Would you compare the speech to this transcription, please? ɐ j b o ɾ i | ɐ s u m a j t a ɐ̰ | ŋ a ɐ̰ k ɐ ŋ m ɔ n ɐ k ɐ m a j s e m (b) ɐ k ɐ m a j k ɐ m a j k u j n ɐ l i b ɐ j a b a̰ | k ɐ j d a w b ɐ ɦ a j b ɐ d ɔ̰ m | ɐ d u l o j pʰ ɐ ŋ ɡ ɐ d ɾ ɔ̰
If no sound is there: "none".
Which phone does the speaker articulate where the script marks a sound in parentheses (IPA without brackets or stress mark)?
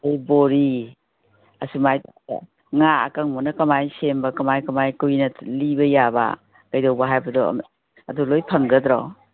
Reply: b